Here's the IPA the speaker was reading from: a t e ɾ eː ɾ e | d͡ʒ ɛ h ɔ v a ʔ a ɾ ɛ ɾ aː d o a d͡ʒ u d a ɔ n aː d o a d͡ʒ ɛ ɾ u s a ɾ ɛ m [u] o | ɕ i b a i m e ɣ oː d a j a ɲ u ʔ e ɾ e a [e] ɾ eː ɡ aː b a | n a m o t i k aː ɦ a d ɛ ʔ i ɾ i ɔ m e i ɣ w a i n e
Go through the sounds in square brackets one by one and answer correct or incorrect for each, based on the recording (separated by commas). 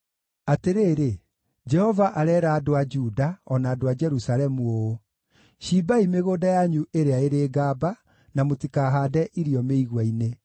correct, correct